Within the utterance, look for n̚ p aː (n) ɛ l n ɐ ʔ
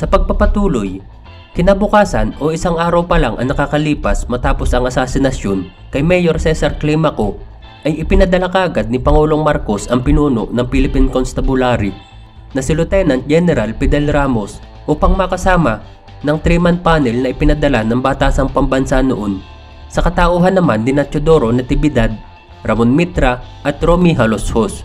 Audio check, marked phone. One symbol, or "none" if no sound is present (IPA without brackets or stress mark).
n